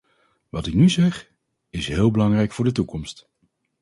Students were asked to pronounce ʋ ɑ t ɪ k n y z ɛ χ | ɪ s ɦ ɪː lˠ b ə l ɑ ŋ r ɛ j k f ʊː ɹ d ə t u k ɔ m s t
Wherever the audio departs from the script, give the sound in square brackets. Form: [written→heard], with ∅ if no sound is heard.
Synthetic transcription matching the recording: ʋ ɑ t ɪ k n y z ɛ χ | ɪ s ɦ ɪː lˠ b ə l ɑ ŋ r ɛ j k f ʊː ɹ d ə t u k ɔ m s t